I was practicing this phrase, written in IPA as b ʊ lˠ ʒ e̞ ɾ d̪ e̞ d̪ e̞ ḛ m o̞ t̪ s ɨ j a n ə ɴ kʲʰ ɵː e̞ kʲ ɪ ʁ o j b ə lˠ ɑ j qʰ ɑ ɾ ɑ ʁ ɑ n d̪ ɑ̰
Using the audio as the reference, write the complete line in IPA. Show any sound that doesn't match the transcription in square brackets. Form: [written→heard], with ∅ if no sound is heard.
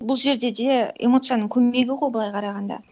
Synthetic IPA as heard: b ʊ lˠ ʒ e̞ ɾ d̪ e̞ d̪ e̞ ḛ m o̞ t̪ s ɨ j a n ə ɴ kʲʰ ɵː e̞ [kʲ→ɡʲ] ɪ ʁ o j b ə lˠ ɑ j qʰ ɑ ɾ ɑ ʁ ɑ n d̪ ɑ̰